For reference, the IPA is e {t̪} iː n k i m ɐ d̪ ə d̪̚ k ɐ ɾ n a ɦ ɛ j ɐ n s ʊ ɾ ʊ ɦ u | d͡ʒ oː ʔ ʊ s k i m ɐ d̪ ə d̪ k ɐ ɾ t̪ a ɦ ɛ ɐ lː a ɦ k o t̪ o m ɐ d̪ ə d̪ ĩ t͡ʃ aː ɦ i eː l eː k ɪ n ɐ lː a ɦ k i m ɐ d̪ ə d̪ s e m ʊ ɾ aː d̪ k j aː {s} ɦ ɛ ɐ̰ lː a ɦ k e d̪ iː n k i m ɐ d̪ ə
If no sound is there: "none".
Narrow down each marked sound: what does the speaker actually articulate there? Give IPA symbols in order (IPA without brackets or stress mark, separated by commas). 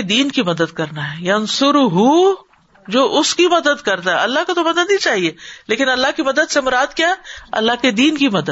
d̪, none